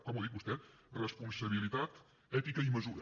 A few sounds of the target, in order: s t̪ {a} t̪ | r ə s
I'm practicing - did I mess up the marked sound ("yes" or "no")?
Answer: yes